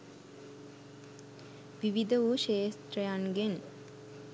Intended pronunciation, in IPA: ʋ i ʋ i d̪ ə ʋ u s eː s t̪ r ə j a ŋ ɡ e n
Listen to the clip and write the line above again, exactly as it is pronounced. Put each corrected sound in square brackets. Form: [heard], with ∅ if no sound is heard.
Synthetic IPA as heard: ʋ i ʋ i d̪ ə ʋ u [ʃ] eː s t̪ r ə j a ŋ ɡ e n